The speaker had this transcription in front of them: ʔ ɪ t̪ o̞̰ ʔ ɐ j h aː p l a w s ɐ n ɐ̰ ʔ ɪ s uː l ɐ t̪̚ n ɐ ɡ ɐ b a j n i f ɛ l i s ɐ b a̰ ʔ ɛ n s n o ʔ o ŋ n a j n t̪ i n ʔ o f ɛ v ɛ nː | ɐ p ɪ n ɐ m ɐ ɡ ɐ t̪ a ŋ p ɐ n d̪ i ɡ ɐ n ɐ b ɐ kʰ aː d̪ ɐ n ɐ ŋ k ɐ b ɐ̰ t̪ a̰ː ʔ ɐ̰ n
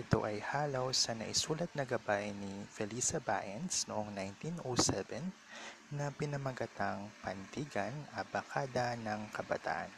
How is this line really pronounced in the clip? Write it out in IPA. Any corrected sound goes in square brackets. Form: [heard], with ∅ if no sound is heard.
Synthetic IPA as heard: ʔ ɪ t̪ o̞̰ ʔ ɐ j h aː [∅] l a w s ɐ n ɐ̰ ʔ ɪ s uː l ɐ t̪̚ n ɐ ɡ ɐ b a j n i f ɛ l i s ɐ b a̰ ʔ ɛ n s n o ʔ o ŋ n a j n t̪ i n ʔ o [s] ɛ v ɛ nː | ɐ p ɪ n ɐ m ɐ ɡ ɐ t̪ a ŋ p ɐ n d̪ i ɡ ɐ n ɐ b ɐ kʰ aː d̪ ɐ n ɐ ŋ k ɐ b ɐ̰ t̪ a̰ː ʔ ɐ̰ n